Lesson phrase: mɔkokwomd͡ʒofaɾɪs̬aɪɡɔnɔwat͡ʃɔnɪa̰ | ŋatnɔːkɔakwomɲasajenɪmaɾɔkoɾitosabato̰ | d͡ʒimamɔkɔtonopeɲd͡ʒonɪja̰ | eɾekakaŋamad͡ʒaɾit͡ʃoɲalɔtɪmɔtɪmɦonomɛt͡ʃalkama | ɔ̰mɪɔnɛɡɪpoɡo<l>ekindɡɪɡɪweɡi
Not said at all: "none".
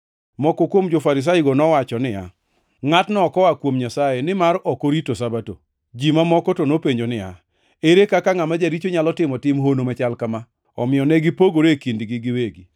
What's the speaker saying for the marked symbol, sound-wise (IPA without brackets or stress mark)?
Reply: ɾ